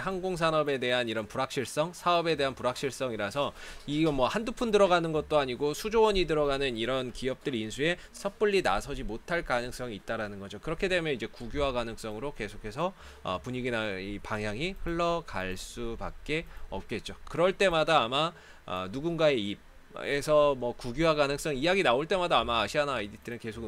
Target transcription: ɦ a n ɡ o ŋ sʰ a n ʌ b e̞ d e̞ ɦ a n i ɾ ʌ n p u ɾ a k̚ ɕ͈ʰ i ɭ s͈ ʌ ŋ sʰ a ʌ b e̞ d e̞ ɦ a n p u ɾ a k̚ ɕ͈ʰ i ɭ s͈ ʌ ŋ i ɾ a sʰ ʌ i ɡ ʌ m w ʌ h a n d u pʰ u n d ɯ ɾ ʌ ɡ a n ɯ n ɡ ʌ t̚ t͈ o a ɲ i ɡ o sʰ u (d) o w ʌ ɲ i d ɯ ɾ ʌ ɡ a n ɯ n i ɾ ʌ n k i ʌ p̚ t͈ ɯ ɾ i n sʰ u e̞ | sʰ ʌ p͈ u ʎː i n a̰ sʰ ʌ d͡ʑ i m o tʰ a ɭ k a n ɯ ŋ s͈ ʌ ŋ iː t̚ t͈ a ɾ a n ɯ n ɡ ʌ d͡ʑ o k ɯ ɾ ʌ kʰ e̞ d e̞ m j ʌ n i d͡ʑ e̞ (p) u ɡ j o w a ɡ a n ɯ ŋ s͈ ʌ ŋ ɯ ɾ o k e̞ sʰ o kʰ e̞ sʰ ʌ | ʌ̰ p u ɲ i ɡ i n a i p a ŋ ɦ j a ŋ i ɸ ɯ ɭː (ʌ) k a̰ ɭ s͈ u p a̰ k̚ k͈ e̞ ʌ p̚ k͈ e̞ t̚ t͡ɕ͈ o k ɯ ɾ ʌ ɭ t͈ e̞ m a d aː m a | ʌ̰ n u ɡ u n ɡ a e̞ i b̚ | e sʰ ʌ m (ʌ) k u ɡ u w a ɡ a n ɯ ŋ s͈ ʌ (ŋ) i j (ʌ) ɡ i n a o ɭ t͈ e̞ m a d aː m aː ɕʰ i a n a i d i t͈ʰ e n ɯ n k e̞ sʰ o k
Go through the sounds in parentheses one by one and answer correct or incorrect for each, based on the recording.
incorrect, incorrect, correct, correct, correct, incorrect

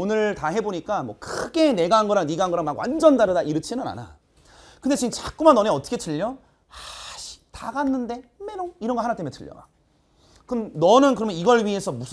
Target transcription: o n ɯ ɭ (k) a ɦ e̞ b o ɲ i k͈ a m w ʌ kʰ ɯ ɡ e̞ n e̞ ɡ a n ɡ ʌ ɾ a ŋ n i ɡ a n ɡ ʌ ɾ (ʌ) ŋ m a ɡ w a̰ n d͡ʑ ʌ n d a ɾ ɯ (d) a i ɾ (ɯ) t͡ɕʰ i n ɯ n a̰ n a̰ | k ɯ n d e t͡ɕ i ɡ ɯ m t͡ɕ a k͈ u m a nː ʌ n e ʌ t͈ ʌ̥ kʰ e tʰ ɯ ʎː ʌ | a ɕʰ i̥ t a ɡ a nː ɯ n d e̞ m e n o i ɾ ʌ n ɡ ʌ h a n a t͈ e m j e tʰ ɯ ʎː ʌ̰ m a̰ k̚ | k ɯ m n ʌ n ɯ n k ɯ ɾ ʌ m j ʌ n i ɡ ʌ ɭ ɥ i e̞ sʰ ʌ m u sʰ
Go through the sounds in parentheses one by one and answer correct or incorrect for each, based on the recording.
incorrect, incorrect, correct, correct

